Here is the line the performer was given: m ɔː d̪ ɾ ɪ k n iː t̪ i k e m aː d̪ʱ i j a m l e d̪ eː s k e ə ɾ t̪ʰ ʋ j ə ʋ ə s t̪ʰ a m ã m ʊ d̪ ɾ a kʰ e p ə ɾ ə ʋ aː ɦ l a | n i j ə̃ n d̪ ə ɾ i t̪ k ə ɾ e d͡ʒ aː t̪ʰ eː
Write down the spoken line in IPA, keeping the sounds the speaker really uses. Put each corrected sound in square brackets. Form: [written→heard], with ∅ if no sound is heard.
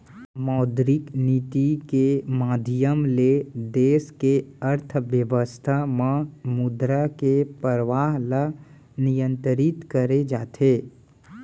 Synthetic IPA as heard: m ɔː d̪ ɾ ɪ k n iː t̪ i k e m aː d̪ʱ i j [a→ə] m l e d̪ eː s k e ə ɾ t̪ʰ ʋ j ə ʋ ə s t̪ʰ a m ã m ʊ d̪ ɾ a [kʰ→k] e p ə ɾ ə ʋ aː ɦ l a | n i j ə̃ n [d̪→t̪] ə ɾ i t̪ k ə ɾ e d͡ʒ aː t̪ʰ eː